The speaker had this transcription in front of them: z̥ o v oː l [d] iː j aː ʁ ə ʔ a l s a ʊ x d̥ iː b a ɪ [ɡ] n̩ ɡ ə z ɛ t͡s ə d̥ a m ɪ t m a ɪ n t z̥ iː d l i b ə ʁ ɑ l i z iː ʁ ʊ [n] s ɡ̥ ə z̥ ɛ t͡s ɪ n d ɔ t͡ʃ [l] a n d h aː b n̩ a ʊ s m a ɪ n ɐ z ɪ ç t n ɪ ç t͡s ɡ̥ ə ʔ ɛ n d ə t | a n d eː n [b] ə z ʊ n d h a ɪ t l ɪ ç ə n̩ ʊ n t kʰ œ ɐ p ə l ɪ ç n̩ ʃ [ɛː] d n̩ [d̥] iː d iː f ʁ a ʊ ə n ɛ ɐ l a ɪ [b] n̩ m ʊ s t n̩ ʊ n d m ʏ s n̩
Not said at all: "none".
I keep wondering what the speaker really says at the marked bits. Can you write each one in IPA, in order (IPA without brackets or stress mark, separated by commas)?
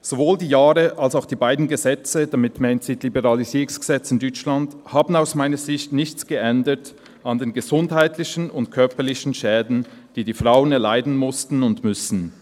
d, d, ŋ, l, ɡ, ɛː, d̥, d